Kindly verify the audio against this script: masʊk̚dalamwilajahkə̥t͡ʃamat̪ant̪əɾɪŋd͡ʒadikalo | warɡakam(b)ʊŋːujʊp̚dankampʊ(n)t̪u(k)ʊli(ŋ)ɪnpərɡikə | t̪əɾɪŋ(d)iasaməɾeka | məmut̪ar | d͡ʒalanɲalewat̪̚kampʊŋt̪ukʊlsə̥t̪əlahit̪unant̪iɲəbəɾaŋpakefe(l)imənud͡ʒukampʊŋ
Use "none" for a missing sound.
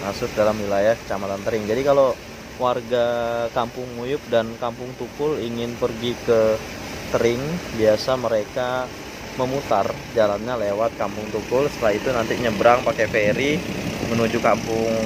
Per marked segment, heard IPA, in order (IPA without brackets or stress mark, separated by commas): p, ŋ, k, ŋ, b, ɾ